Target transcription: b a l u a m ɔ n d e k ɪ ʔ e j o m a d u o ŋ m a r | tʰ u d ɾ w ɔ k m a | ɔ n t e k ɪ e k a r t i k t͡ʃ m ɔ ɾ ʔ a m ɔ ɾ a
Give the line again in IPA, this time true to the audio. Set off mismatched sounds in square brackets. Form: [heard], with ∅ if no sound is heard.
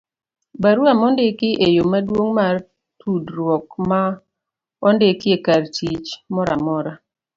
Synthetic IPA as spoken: b a [ɾ] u a m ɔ n d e k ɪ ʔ e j o m a d [w] o ŋ m a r | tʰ u d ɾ w ɔ k m a | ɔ n [d] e k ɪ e k a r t i [∅] t͡ʃ m ɔ ɾ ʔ a m ɔ ɾ a